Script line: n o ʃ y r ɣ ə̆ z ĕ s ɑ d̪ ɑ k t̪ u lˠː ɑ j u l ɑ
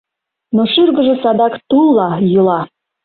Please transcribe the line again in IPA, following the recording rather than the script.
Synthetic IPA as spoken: n o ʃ y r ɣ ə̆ ʒ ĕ s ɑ d̪ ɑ k t̪ u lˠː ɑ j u l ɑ